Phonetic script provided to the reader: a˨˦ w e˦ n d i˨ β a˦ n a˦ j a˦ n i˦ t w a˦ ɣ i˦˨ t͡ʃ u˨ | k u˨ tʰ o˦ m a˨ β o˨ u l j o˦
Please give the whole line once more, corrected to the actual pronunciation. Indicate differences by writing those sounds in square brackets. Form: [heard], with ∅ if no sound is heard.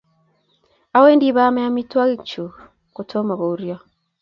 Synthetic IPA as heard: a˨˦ w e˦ n d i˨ β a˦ [m] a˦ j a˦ [m] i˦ t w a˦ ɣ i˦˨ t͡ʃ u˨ | k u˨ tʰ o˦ m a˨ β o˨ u [ɾ] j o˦